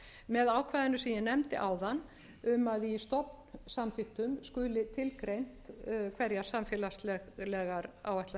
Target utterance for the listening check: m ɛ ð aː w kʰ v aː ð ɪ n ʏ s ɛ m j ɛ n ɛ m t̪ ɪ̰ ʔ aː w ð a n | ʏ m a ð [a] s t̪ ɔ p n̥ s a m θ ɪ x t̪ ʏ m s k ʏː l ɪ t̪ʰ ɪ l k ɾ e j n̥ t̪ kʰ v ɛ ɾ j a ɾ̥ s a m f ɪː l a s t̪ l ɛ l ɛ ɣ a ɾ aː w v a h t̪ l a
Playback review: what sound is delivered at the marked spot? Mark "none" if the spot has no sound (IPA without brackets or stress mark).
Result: i